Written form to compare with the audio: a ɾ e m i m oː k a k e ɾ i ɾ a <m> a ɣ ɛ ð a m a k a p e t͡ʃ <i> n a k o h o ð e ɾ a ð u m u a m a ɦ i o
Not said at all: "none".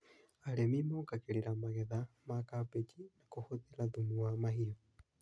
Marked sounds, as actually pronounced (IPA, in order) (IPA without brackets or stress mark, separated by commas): m, i